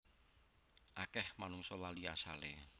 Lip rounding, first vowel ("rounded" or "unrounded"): unrounded